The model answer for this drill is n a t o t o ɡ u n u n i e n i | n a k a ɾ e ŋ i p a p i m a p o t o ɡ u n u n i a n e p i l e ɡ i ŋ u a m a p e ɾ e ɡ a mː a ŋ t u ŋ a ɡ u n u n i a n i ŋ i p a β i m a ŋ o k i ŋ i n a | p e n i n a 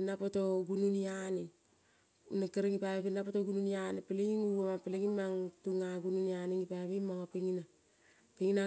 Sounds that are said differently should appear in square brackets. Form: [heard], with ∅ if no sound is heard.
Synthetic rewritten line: n a [p] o t o ɡ u n u n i [a] n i | n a k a ɾ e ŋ i p a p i [n] a p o t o ɡ u n u n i a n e p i l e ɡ i ŋ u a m a p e [l] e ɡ [i] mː a ŋ t u ŋ a ɡ u n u n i a n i ŋ i p a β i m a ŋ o [p] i ŋ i n a | p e [ŋ] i n a